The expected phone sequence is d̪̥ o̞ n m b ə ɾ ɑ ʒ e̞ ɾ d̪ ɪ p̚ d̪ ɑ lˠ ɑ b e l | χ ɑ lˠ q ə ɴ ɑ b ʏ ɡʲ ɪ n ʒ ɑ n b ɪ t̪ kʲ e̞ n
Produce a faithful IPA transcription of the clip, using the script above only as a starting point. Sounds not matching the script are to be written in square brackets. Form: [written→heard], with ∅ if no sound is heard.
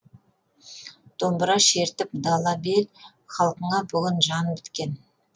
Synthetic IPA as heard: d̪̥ o̞ [n→∅] m b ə ɾ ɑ [ʒ→ʃ] e̞ ɾ [d̪→t̪] ɪ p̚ d̪ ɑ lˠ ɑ b e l | χ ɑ lˠ q ə ɴ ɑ b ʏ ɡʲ ɪ n ʒ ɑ n b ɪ t̪ kʲ e̞ n